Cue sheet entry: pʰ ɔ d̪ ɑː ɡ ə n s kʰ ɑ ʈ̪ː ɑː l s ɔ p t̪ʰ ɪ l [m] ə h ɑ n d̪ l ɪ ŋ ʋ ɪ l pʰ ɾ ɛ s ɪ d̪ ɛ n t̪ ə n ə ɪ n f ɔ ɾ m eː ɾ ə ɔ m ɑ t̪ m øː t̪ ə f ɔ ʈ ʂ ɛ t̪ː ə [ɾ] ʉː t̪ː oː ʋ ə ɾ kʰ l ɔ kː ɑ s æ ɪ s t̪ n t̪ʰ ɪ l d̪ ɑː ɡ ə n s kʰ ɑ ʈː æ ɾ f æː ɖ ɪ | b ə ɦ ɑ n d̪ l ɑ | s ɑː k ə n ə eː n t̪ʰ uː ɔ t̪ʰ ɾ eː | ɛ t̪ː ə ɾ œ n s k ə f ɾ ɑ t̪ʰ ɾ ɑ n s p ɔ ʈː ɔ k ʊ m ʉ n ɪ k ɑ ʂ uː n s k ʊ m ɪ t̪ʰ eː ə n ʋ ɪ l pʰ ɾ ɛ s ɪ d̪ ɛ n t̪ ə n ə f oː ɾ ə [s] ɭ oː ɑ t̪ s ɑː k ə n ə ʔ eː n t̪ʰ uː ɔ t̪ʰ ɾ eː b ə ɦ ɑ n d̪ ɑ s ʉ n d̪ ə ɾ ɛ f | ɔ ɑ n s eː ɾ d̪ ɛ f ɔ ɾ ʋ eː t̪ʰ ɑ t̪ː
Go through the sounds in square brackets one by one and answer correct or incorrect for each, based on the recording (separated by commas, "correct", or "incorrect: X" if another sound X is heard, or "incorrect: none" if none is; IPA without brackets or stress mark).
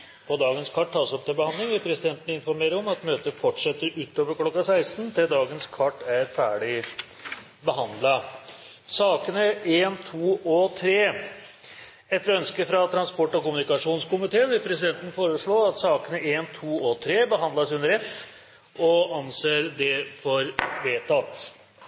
incorrect: b, correct, incorrect: ʂ